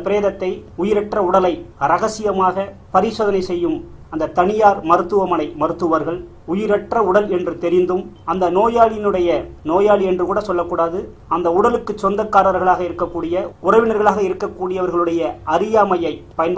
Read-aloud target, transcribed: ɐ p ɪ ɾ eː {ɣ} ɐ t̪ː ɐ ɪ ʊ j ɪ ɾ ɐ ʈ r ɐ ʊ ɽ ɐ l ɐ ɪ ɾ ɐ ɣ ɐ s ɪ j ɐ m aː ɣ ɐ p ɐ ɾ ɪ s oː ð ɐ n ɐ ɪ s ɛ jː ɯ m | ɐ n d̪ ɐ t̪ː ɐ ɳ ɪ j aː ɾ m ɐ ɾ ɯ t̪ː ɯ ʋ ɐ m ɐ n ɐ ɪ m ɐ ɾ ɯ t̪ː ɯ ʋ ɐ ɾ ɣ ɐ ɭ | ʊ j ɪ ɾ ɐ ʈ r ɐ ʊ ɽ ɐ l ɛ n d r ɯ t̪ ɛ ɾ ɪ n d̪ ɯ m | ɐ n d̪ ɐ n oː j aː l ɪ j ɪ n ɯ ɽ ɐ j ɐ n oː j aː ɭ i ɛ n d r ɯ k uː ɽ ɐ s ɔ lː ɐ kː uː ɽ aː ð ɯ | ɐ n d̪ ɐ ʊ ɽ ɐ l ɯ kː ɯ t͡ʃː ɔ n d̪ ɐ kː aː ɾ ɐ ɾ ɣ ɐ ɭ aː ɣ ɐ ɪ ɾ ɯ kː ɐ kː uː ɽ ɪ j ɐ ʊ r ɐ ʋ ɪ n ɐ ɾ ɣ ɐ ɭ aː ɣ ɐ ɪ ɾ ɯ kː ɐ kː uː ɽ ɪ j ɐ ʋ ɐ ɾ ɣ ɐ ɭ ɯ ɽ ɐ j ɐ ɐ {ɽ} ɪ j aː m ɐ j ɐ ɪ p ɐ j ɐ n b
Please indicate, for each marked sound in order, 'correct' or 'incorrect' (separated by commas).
incorrect, incorrect